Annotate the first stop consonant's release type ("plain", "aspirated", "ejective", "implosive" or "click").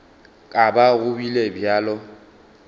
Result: ejective